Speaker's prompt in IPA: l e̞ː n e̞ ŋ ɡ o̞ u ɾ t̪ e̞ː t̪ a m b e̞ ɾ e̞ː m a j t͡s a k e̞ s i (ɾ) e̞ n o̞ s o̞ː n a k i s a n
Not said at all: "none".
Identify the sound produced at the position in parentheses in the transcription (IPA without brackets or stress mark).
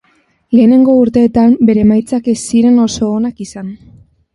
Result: ɾ